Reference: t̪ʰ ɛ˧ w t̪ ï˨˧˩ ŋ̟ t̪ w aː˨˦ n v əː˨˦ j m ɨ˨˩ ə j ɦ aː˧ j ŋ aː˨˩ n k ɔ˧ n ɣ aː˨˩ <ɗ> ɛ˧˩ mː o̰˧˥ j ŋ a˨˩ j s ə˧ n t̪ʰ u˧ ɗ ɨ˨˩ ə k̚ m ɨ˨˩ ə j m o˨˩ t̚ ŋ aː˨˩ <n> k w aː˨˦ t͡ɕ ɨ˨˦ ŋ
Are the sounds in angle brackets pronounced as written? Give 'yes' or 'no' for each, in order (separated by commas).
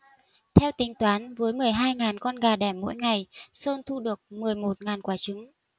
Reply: yes, yes